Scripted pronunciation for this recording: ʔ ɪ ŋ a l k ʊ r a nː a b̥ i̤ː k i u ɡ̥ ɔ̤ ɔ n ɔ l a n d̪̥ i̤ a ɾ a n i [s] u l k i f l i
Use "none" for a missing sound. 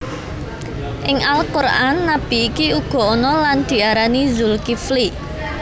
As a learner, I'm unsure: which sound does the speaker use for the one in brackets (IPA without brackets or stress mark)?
z